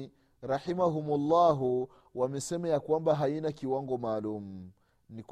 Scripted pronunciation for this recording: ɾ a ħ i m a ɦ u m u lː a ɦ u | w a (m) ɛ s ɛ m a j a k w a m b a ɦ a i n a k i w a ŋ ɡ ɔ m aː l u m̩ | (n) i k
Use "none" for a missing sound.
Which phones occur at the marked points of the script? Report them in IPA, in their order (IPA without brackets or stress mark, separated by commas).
m, n